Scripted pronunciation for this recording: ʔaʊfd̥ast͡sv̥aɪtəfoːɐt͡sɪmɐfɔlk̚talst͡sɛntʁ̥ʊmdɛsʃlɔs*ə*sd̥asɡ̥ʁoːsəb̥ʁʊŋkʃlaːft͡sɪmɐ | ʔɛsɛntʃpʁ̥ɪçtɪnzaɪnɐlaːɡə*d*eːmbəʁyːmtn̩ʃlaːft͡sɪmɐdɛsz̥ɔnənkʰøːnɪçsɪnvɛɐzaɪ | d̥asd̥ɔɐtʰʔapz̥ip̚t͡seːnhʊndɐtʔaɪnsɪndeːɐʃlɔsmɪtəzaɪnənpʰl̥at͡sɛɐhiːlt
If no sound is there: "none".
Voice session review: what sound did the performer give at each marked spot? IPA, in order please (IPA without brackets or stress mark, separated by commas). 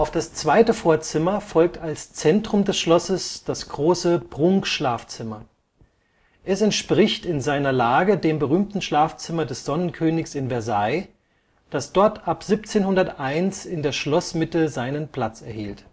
ə, d